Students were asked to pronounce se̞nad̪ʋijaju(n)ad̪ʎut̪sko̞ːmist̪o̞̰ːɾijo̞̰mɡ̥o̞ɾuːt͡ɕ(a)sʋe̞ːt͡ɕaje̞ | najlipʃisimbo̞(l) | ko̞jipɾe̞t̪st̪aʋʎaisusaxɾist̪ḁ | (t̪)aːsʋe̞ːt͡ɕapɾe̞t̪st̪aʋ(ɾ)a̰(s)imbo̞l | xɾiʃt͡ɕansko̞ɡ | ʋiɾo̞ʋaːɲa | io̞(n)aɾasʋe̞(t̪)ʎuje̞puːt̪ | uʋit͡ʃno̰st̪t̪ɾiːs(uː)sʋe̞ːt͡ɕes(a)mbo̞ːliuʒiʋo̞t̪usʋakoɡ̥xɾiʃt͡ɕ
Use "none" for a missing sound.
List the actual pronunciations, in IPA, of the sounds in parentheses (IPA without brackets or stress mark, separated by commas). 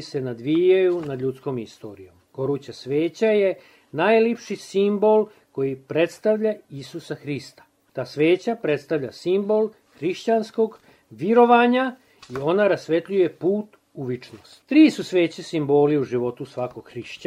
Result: n, a, l, t̪, ʎ, s, n, t̪, u, i